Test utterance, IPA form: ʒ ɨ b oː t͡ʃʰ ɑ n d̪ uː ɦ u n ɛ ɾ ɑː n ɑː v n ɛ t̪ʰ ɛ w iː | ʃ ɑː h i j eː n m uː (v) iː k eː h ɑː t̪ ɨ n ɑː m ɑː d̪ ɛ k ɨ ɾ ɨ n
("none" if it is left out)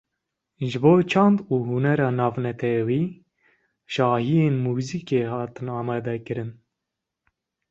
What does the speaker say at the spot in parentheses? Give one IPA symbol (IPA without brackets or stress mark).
z